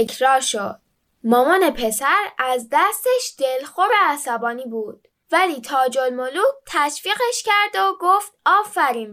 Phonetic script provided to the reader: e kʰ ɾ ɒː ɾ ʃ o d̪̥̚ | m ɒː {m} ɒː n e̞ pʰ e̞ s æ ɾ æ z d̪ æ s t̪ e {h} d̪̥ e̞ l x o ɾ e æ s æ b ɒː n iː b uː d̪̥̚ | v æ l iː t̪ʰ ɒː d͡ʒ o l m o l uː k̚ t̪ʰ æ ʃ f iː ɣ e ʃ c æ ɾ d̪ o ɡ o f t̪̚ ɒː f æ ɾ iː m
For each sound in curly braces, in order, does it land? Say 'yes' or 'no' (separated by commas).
yes, no